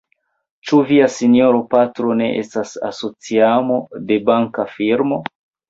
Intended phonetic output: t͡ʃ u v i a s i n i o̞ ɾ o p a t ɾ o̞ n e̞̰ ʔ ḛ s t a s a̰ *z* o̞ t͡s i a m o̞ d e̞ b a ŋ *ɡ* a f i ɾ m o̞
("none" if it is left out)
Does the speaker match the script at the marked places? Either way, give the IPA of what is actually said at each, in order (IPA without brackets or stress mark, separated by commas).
s, k